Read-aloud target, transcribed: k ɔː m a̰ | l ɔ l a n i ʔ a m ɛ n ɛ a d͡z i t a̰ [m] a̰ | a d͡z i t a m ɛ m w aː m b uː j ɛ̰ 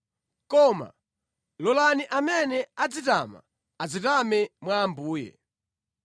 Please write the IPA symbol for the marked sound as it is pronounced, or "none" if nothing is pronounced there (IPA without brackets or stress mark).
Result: m